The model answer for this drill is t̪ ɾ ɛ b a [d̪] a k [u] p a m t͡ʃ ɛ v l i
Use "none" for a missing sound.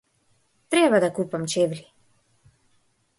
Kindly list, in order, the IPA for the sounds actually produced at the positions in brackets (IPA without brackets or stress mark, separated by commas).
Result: d̪, u